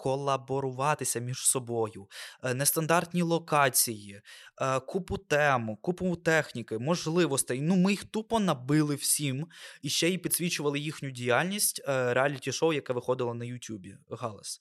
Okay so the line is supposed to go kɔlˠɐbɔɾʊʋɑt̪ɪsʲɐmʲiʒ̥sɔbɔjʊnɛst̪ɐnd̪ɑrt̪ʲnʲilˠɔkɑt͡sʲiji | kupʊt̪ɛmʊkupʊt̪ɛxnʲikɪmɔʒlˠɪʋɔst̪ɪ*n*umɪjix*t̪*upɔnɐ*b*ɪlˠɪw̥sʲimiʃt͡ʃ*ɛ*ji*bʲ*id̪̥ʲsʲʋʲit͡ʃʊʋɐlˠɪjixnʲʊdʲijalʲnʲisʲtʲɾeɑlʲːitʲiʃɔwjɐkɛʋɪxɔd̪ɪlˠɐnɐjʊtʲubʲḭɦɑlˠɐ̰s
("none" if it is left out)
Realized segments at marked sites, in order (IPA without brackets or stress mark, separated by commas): n, t̪, b, ɛ, pʲ